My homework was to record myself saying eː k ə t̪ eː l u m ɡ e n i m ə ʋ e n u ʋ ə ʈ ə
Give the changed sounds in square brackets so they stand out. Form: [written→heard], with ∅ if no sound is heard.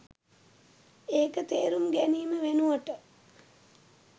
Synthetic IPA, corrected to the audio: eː k ə t̪ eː [l→ɾ] u m ɡ [e→æ] n [i→iː] m ə ʋ e n u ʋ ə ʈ ə